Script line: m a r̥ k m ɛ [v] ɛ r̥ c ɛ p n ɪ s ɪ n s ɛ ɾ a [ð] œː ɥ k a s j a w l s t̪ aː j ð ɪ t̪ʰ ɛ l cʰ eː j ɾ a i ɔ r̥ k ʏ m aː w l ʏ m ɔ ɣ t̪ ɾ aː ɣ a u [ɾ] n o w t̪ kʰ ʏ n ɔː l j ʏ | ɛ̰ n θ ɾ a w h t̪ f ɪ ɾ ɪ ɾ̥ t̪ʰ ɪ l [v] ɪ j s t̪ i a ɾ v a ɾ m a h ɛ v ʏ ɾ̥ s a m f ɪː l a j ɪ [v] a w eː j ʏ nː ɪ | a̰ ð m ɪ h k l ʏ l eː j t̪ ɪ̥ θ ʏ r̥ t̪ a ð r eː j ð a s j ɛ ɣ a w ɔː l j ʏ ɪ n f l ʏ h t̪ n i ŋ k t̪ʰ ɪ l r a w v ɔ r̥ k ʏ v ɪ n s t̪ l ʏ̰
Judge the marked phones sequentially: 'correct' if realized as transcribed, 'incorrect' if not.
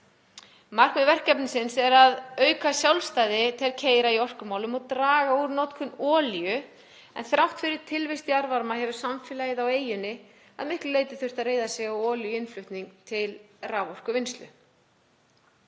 correct, correct, correct, correct, incorrect

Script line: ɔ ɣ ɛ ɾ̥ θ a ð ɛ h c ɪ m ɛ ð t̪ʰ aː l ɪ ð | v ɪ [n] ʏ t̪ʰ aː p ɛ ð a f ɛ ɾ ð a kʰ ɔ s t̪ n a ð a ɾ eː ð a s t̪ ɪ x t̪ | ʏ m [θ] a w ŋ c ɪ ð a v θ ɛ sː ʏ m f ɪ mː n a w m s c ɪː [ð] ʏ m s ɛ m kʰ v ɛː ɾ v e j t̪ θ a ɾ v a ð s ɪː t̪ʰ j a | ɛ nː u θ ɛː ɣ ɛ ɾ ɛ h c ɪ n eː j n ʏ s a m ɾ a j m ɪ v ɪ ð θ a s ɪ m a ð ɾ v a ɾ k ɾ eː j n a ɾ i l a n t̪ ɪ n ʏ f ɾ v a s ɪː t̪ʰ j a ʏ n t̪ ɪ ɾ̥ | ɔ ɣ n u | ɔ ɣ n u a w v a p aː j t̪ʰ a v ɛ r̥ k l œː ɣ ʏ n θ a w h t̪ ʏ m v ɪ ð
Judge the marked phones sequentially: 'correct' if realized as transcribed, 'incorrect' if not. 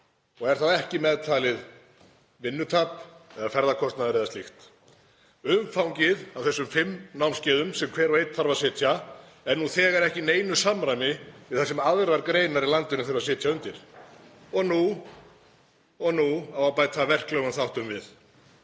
incorrect, incorrect, correct

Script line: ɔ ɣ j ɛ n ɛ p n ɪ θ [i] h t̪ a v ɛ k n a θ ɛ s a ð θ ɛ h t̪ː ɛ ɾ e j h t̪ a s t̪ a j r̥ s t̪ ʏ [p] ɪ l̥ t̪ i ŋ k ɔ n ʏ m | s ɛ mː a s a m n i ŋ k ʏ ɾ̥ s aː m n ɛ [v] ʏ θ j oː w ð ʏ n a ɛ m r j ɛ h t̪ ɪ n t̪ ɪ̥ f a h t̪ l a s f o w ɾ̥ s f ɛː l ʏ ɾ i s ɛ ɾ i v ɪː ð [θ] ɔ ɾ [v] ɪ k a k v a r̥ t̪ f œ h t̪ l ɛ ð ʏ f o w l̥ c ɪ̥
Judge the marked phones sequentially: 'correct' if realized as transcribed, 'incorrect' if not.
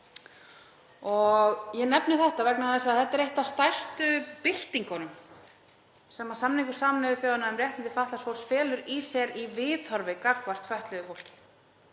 incorrect, correct, incorrect, incorrect, correct

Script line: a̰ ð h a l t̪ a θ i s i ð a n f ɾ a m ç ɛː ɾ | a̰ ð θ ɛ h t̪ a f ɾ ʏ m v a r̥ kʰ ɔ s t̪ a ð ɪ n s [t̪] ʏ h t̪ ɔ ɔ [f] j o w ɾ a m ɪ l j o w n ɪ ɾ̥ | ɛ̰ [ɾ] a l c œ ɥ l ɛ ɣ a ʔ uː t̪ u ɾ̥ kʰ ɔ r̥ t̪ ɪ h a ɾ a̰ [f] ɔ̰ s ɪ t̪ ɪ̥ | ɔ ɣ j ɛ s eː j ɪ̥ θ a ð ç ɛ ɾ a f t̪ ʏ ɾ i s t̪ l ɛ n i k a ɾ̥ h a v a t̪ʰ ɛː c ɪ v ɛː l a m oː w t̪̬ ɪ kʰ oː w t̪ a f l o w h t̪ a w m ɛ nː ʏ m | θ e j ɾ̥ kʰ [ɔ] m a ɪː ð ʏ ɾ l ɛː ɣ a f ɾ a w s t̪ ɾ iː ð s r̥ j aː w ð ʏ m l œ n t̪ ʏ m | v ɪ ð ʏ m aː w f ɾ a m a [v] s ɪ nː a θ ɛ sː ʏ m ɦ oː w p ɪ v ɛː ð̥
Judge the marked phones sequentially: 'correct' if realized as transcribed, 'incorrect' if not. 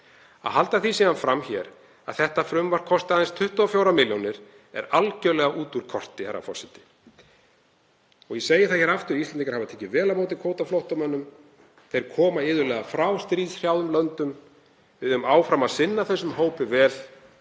incorrect, correct, correct, correct, incorrect, incorrect

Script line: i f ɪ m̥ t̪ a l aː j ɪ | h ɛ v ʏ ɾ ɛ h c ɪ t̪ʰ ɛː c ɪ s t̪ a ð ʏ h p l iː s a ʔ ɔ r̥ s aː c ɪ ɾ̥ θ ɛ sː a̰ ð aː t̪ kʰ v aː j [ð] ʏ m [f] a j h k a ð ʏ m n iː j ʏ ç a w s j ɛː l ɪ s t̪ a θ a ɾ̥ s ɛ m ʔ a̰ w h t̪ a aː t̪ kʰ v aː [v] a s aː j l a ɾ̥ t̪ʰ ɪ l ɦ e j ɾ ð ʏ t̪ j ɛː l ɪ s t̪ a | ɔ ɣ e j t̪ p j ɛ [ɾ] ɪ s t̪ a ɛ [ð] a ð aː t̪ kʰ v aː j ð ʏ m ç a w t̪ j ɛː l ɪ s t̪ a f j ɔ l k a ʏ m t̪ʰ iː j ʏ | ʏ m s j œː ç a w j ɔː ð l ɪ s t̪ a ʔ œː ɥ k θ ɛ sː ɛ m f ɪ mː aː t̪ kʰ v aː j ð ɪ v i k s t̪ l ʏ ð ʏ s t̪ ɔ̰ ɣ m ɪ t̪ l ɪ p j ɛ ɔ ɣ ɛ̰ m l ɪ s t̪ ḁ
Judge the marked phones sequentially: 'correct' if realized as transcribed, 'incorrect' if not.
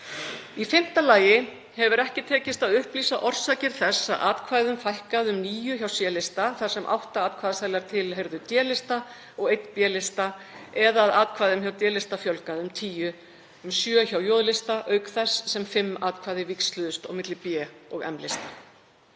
correct, correct, incorrect, incorrect, correct

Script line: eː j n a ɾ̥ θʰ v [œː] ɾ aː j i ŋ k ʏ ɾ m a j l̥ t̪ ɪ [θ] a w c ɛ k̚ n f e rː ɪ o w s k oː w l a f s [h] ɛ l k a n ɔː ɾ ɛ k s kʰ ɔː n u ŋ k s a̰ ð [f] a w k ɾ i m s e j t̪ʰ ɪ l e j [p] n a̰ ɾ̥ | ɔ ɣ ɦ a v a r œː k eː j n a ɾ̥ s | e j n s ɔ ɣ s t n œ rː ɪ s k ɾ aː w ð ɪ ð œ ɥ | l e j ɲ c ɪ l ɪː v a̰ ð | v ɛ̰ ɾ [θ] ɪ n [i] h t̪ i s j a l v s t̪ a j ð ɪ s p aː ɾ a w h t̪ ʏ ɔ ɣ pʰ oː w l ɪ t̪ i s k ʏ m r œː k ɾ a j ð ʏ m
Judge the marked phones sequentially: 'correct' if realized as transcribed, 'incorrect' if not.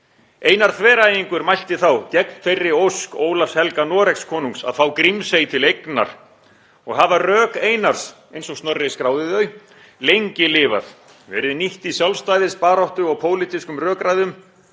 incorrect, correct, correct, incorrect, incorrect, incorrect, correct

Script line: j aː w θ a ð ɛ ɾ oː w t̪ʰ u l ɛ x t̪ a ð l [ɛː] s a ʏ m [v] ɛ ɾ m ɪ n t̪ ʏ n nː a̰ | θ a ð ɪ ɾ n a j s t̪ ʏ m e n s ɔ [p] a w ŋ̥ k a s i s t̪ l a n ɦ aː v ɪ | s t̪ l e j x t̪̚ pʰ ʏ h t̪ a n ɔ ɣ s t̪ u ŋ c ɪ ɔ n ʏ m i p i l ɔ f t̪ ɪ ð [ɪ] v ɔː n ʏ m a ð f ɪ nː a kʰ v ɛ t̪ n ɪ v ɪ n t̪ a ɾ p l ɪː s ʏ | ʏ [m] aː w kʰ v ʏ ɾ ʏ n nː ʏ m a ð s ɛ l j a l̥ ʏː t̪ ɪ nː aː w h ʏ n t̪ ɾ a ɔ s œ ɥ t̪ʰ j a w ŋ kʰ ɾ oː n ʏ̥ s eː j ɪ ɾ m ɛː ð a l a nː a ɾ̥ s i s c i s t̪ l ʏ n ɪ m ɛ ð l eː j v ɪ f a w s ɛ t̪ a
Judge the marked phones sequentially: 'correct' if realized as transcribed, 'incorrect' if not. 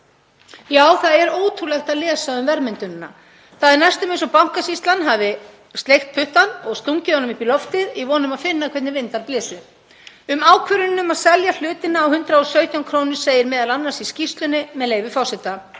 correct, correct, correct, incorrect, correct

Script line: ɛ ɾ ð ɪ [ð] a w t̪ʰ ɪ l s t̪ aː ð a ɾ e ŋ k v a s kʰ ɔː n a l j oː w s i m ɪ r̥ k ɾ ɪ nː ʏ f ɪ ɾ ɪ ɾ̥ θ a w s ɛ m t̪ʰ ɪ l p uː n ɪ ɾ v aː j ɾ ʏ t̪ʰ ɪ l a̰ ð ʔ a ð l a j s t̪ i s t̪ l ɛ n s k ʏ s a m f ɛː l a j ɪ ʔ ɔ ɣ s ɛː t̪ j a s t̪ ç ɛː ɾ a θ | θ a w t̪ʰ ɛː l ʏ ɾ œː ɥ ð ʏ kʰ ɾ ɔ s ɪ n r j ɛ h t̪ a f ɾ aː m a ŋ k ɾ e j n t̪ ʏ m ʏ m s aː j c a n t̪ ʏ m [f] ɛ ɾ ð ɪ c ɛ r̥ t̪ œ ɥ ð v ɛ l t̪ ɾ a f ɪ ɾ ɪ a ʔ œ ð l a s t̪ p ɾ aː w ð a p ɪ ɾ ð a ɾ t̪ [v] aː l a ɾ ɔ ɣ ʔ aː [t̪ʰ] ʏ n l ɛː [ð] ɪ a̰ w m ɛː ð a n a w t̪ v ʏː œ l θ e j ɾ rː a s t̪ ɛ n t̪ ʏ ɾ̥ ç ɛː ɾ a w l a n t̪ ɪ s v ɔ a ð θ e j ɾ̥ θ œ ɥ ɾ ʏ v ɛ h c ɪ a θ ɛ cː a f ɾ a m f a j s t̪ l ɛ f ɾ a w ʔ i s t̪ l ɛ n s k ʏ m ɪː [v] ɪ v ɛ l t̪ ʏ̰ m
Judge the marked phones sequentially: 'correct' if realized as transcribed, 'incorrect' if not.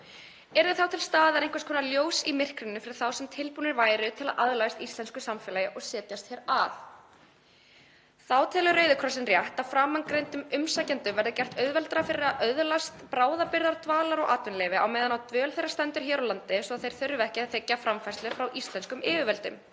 incorrect, incorrect, correct, incorrect, incorrect, correct

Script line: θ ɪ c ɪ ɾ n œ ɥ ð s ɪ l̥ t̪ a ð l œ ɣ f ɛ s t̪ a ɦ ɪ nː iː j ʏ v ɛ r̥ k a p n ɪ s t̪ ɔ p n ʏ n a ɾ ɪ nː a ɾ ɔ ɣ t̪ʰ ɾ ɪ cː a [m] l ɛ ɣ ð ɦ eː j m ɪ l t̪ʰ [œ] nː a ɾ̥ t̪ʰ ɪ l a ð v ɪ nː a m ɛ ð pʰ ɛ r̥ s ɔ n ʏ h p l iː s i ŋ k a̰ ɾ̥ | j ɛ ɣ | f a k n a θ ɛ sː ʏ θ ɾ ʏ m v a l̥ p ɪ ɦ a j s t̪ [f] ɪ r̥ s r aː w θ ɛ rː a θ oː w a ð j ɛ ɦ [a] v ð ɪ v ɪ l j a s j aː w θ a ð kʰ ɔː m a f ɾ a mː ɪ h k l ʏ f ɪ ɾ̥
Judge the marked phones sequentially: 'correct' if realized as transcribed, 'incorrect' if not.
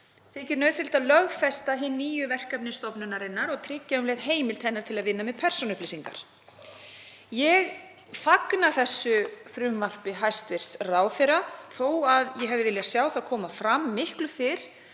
correct, incorrect, incorrect, incorrect

